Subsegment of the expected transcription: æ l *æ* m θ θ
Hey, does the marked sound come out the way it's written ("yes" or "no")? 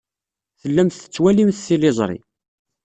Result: no